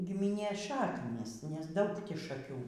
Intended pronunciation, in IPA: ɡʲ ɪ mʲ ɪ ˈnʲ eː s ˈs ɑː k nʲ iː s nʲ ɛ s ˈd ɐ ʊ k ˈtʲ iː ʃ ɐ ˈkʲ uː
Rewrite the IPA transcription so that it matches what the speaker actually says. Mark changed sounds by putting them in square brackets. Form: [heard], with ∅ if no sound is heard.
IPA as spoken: ɡʲ ɪ mʲ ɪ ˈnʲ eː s [ˈʃ] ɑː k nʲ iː s nʲ ɛ s ˈd ɐ ʊ k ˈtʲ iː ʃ ɐ ˈkʲ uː